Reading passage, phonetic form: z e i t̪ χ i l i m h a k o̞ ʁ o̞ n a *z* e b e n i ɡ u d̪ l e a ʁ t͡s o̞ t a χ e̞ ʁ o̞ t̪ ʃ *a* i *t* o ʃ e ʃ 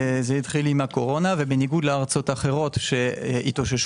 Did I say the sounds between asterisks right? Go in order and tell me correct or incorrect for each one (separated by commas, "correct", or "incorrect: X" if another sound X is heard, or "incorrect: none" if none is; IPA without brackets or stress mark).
incorrect: v, incorrect: e, correct